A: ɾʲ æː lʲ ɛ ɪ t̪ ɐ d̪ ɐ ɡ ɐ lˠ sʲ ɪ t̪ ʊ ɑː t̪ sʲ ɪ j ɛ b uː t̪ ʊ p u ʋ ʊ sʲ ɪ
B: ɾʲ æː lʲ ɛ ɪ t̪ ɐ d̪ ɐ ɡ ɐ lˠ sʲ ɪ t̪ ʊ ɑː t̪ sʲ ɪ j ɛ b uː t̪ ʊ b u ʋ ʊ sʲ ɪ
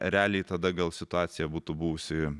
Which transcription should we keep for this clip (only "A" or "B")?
B